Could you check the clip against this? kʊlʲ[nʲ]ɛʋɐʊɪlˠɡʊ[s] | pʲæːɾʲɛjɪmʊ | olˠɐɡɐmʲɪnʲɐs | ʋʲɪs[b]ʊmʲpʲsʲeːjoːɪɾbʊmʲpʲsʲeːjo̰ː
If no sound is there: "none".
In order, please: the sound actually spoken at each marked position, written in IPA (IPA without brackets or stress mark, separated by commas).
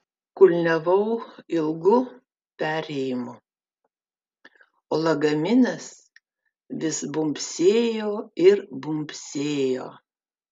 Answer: nʲ, none, b